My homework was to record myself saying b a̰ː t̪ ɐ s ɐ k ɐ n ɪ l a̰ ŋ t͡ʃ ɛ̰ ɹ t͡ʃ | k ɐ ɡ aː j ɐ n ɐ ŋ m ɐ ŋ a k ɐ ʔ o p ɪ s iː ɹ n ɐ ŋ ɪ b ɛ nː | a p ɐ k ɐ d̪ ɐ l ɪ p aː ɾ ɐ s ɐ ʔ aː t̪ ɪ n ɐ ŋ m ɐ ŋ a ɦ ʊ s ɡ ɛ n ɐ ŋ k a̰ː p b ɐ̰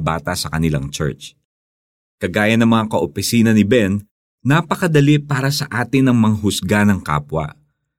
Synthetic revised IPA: b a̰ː t̪ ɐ s ɐ k ɐ n ɪ l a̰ ŋ t͡ʃ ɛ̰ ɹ t͡ʃ | k ɐ ɡ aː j ɐ n ɐ ŋ m ɐ ŋ a k ɐ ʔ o p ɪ s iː n ɐ n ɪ b ɛ nː | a p ɐ k ɐ d̪ ɐ l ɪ p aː ɾ ɐ s ɐ ʔ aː t̪ ɪ n ɐ ŋ m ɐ ŋ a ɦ ʊ s ɡ a n ɐ ŋ k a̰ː p w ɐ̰